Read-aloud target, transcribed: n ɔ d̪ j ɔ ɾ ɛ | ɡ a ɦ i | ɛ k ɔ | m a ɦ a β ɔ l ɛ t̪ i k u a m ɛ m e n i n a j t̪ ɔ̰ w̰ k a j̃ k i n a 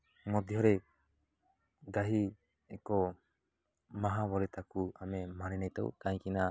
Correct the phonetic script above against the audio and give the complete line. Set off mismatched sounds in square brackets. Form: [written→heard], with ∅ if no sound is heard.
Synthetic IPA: [n→m] ɔ d̪ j ɔ ɾ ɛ | ɡ a ɦ i | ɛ k ɔ | m a ɦ a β ɔ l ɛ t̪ [i→a] k u a m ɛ m [e→a] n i n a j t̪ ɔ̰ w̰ k a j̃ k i n a